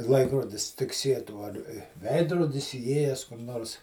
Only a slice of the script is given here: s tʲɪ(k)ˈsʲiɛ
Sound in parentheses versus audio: correct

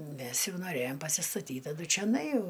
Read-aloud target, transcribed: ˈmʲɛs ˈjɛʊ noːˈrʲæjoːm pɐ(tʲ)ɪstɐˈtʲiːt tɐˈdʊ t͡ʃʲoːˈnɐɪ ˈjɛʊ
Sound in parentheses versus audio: incorrect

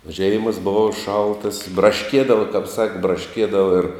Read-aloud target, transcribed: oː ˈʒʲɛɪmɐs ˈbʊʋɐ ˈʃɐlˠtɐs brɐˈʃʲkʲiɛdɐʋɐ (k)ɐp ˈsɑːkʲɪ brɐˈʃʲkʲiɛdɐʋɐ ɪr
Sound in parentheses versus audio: correct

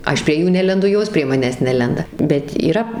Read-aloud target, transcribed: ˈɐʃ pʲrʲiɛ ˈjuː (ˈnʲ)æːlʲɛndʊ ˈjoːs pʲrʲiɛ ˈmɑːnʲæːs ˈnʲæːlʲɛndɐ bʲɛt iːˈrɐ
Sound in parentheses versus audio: correct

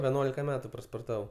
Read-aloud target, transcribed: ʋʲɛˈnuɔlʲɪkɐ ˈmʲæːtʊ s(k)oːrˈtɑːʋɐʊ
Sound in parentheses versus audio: incorrect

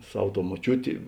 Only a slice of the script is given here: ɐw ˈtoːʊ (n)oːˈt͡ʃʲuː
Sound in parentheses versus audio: incorrect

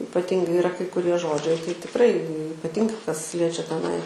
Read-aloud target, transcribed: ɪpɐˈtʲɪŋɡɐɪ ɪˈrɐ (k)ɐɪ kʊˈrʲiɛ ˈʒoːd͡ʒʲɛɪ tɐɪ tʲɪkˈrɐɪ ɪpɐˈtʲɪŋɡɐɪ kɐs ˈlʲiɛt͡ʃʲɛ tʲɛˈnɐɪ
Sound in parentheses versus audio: correct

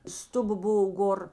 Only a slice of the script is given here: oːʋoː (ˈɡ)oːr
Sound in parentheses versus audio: correct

